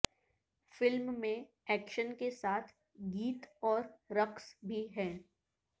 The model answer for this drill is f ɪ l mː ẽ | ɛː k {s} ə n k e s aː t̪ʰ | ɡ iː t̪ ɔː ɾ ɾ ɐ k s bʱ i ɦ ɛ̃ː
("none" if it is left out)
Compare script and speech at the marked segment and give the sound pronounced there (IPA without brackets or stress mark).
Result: ʃ